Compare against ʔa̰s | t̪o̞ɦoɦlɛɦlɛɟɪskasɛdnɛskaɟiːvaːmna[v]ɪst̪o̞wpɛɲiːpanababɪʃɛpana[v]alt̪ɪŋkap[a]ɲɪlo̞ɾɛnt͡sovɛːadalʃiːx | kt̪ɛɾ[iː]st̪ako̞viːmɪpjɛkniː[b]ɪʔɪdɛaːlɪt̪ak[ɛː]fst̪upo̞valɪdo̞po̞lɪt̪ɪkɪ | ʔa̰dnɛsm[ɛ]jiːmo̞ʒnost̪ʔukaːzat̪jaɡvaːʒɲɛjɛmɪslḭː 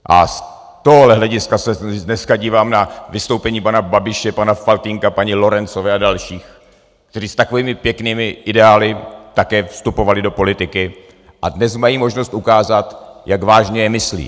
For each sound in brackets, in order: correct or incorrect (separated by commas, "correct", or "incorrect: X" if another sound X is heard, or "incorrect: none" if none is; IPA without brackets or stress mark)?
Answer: correct, incorrect: f, correct, correct, incorrect: m, correct, incorrect: a